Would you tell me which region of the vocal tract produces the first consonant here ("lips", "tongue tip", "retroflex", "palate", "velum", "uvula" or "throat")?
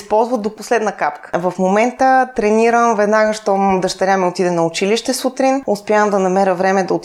tongue tip